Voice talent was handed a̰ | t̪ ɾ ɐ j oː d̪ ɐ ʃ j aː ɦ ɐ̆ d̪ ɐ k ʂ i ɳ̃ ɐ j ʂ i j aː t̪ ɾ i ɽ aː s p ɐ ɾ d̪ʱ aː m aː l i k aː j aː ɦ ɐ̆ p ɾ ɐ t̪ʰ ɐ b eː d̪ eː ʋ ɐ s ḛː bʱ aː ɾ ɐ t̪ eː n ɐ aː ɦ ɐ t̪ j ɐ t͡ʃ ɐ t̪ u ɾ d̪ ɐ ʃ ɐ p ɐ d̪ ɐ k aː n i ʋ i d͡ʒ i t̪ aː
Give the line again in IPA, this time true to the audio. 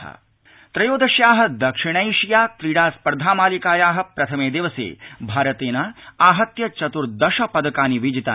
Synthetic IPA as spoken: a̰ | t̪ ɾ ɐ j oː d̪ ɐ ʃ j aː ɦ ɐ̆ d̪ ɐ k ʂ i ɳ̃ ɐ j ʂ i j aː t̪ ɾ i ɽ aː s p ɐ ɾ d̪ʱ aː m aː l i k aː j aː ɦ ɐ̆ p ɾ ɐ t̪ʰ ɐ m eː d̪ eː ʋ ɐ s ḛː bʱ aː ɾ ɐ t̪ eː n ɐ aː ɦ ɐ t̪ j ɐ t͡ʃ ɐ t̪ u ɾ d̪ ɐ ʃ ɐ p ɐ d̪ ɐ k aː n i ʋ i d͡ʒ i t̪ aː

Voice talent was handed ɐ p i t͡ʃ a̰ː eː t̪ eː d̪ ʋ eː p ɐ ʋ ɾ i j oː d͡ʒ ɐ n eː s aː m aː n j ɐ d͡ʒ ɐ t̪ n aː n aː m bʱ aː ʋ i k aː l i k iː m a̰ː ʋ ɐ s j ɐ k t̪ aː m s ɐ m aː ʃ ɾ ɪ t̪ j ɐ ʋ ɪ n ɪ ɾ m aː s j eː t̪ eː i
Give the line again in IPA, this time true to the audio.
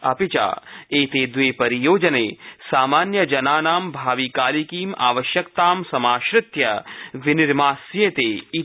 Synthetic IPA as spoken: ɐ p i t͡ʃ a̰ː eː t̪ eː d̪ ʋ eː p ɐ ɾ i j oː d͡ʒ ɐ n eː s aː m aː n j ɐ d͡ʒ ɐ n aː n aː m bʱ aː ʋ i k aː l i k iː m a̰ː ʋ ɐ ʃ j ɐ k t̪ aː m s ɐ m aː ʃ ɾ ɪ t̪ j ɐ ʋ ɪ n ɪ ɾ m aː s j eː t̪ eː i

